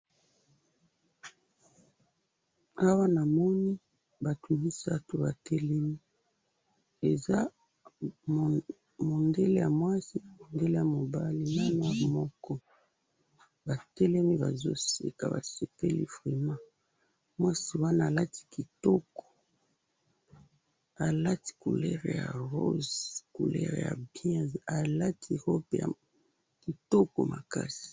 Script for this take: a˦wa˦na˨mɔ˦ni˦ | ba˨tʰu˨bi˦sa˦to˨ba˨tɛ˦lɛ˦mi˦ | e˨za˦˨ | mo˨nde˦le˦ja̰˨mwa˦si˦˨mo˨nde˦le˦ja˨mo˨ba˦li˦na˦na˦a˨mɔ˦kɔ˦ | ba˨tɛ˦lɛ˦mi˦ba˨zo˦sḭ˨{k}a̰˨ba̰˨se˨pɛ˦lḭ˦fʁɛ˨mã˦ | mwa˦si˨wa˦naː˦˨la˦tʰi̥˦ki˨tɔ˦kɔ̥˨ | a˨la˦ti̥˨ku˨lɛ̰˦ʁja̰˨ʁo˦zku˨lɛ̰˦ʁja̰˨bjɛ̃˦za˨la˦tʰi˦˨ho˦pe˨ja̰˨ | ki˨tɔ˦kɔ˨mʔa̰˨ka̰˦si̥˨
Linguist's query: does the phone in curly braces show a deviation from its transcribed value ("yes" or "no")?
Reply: no